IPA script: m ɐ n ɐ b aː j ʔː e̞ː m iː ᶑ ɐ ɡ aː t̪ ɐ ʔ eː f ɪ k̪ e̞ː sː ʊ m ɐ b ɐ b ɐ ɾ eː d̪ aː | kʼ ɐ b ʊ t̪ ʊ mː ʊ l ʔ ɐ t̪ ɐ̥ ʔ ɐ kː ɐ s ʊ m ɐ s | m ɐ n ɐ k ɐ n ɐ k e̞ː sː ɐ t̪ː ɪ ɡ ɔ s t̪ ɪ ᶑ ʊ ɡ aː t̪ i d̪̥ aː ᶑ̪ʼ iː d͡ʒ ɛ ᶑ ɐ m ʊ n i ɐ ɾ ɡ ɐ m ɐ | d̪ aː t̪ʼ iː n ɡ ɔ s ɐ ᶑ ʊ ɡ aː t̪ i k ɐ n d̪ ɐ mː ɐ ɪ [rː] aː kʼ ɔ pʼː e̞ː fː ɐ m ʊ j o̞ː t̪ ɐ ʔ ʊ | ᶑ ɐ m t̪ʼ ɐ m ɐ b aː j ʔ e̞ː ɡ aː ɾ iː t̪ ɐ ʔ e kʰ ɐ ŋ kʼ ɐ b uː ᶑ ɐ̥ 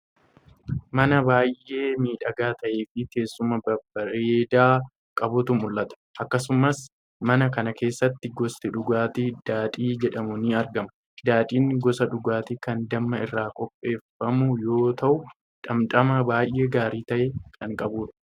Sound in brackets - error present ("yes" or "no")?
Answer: no